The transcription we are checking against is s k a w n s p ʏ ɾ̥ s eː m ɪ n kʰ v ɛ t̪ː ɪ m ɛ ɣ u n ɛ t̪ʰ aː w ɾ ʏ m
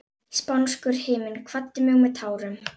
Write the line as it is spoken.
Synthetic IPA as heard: s p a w n s k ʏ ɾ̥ h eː m ɪ n kʰ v a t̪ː ɪ m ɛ ɣ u m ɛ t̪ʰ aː w ɾ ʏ m